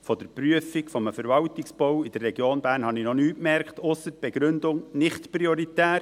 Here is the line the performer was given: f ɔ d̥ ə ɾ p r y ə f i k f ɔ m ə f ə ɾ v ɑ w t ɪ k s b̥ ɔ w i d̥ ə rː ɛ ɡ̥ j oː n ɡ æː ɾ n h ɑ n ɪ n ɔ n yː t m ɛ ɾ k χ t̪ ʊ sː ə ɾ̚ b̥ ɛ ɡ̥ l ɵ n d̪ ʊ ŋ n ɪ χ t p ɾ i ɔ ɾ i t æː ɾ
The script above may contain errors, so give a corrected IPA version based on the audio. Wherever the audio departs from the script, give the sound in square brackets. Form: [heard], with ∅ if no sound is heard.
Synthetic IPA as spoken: f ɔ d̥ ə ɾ p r y ə f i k f ɔ m ə f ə ɾ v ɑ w t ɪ k s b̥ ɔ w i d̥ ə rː ɛ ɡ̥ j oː n [b] æː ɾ n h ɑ n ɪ n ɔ n yː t m ɛ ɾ k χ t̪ ʊ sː ə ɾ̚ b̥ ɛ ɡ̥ [ɾ] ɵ n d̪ ʊ ŋ n ɪ χ t p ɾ i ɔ ɾ i t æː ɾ